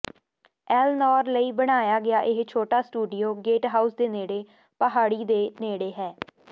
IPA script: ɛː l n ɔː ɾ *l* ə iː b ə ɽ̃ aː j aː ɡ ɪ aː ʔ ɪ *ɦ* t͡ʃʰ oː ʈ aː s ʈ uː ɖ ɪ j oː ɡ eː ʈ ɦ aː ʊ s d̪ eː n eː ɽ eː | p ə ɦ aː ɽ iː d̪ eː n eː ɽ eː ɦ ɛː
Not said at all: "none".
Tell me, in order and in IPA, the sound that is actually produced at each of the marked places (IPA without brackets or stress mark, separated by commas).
l, ɦ